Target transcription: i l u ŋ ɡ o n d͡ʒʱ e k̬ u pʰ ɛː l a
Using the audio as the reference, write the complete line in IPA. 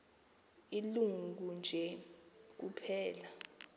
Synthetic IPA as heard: i l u ŋ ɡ u n d͡ʒʱ ɛ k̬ u pʰ ɛː l a